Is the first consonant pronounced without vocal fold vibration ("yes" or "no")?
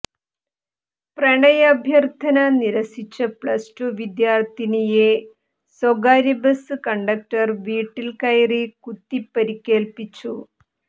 yes